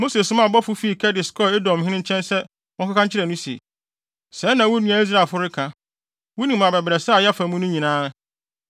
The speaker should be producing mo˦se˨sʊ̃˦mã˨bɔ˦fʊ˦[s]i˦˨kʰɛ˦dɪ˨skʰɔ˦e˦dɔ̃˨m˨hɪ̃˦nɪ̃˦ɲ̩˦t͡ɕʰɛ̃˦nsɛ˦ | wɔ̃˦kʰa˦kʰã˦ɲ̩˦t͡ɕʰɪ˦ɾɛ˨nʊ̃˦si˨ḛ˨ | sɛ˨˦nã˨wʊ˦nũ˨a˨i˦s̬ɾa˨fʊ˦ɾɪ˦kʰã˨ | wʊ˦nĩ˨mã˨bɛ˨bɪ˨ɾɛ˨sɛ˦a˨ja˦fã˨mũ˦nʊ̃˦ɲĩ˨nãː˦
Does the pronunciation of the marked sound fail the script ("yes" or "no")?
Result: yes